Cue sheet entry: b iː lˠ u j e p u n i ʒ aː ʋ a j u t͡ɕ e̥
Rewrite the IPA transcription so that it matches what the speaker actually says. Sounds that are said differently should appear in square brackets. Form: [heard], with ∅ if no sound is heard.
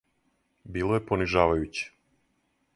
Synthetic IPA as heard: b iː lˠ [o] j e p [o] n i ʒ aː ʋ a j u t͡ɕ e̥